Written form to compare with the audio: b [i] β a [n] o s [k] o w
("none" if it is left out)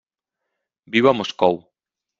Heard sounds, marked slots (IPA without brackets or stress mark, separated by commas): i, m, k